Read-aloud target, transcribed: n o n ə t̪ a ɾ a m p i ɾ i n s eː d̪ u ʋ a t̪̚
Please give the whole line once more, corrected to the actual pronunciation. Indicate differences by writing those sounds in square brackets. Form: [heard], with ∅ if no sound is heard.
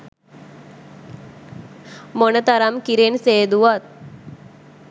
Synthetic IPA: [m] o n ə t̪ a ɾ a m [k] i ɾ [e] n s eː d̪ u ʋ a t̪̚